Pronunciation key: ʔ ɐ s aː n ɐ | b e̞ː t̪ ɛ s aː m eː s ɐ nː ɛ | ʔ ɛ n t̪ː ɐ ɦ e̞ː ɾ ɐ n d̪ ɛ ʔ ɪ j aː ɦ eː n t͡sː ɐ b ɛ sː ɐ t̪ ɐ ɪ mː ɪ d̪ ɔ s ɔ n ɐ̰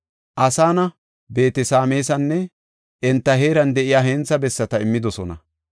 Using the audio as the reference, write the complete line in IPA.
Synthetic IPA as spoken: ʔ ɐ s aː n ɐ | b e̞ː t̪ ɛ s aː m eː s ɐ nː ɛ | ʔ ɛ n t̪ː ɐ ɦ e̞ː ɾ ɐ n d̪ ɛ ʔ ɪ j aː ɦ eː n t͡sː ɐ b ɛ sː ɐ t̪ ɐ ɪ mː ɪ d̪ ɔ s ɔ n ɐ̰

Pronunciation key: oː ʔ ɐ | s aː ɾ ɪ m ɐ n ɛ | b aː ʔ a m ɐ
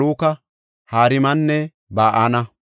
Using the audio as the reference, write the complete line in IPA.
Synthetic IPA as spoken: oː k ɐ | h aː ɾ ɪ m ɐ nː ɛ | b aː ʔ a n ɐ

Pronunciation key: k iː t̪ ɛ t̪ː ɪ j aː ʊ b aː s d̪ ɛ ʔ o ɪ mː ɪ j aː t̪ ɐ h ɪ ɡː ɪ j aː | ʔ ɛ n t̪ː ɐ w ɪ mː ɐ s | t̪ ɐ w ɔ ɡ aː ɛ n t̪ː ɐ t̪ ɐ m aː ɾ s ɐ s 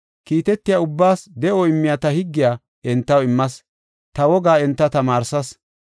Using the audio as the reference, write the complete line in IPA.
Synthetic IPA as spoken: k iː t̪ ɛ t̪ː ɪ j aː ʊ bː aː s d̪ ɛ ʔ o ɪ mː ɪ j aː t̪ ɐ h ɪ ɡː ɪ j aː | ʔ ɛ n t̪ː ɐ w ɪ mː ɐ s | t̪ ɐ w ɔ ɡ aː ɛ n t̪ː ɐ t̪ ɐ m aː ɾ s ɐ s

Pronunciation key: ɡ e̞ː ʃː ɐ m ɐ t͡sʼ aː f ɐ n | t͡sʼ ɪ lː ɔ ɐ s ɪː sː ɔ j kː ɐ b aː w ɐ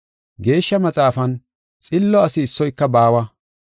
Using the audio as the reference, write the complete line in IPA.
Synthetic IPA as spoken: ɡ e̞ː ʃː ɐ m ɐ t͡sʼ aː f ɐ n | t͡sʼ ɪ lː ɔ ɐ s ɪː sː ɔ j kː ɐ b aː w ɐ

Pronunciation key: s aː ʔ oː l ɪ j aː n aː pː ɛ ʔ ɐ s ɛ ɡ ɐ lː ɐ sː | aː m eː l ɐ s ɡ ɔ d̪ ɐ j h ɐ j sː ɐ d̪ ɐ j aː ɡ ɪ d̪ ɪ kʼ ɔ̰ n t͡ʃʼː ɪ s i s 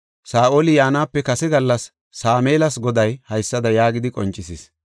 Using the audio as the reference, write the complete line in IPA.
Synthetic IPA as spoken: s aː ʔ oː l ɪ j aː n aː pː ɛ k ɐ s ɛ ɡ ɐ lː ɐ sː | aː m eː l ɐ s ɡ ɔ d̪ ɐ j h ɐ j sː ɐ d̪ ɐ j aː ɡ ɪ d̪ ɪ kʼ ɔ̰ n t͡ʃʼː ɪ s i s

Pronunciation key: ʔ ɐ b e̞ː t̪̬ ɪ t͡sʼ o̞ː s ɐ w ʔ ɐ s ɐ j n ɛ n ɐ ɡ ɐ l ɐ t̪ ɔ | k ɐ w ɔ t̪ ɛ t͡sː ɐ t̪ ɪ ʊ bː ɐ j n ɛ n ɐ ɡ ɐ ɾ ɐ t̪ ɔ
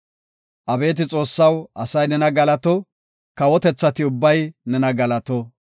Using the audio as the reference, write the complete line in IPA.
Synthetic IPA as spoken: ʔ ɐ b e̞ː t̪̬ ɪ t͡sʼ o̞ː sː ɐ w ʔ ɐ s ɐ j n ɛ n ɐ ɡ ɐ l ɐ t̪ ɔ | k ɐ w ɔ t̪ ɛ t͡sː ɐ t̪ ɪ ʊ bː ɐ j n ɛ n ɐ ɡ ɐ l ɐ t̪ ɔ

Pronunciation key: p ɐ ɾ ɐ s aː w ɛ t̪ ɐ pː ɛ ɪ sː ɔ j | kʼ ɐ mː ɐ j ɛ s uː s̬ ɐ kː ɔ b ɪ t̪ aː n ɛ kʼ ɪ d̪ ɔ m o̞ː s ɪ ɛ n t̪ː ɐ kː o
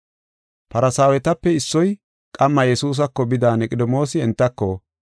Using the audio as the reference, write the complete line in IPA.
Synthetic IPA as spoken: p ɐ ɾ ɐ s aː w ɛ t̪ ɐ pː ɛ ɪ sː ɔ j | kʼ ɐ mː ɐ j ɛ s uː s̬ ɐ kː ɔ b ɪ d̪ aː n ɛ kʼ ɪ d̪ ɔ m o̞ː s ɪ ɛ n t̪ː ɐ kː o

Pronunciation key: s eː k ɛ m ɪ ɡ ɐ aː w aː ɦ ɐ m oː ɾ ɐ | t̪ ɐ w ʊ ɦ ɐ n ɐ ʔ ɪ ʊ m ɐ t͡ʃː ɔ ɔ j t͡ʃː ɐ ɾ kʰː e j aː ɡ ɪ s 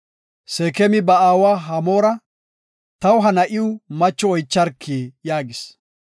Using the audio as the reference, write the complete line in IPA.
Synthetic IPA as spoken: s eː k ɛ m ɪ b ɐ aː w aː ɦ ɐ m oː ɾ ɐ | t̪ ɐ w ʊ ɦ ɐ n ɐ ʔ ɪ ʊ m ɐ t͡ʃː ɔ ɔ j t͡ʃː ɐ ɾ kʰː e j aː ɡ ɪ s

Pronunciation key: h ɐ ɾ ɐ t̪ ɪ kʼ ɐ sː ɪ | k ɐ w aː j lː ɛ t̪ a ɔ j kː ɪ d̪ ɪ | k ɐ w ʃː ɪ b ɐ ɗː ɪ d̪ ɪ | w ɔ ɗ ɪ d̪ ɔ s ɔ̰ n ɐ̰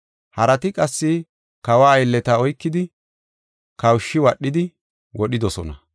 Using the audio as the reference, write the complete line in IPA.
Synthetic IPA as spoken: h ɐ ɾ ɐ t̪ ɪ kʼ ɐ sː ɪ | k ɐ w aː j lː ɛ t̪ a ɔ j kː ɪ d̪ ɪ | k ɐ w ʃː ɪ w ɐ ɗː ɪ d̪ ɪ | w ɔ ɗ ɪ d̪ ɔ s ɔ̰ n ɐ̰

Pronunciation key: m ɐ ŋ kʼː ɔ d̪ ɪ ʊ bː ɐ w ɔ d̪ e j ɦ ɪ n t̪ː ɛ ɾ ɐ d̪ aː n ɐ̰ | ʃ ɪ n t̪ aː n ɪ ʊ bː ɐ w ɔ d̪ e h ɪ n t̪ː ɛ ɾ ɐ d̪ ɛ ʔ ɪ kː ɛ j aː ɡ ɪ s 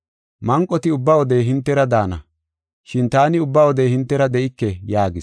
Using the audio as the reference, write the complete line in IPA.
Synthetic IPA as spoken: m ɐ ŋ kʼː ɔ t̪ ɪ ʊ bː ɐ w ɔ d̪ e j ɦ ɪ n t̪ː ɛ ɾ ɐ d̪ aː n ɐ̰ | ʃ ɪ n t̪ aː n ɪ ʊ bː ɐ w ɔ d̪ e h ɪ n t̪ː ɛ ɾ ɐ d̪ ɛ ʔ ɪ kː ɛ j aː ɡ ɪ s

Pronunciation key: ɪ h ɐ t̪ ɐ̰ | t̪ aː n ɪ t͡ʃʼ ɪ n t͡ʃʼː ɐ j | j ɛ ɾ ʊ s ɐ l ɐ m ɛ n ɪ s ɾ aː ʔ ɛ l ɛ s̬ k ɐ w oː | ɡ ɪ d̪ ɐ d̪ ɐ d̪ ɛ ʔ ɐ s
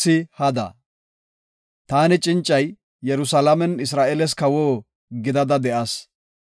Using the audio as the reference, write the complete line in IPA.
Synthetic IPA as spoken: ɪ h ɐ d̪ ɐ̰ | t̪ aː n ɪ t͡ʃʼ ɪ n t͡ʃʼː ɐ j | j ɛ ɾ ʊ s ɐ l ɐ m ɛ n ɪ s ɾ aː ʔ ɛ l ɛ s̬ k ɐ w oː | ɡ ɪ d̪ ɐ d̪ ɐ d̪ ɛ ʔ ɐ s

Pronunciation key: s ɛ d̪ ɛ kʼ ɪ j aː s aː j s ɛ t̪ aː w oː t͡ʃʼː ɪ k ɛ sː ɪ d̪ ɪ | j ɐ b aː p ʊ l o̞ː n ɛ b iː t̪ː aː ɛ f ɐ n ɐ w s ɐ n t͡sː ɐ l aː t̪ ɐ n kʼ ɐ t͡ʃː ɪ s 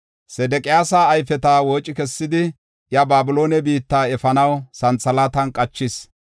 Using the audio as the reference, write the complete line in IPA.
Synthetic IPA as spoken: s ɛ d̪ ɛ kʼ ɪ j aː s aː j f ɛ t̪ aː w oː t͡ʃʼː ɪ k ɛ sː ɪ d̪ ɪ | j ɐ b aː b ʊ l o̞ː n ɛ b iː t̪ː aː ɛ f ɐ n ɐ w s ɐ n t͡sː ɐ l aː t̪ ɐ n kʼ ɐ t͡ʃː ɪ s

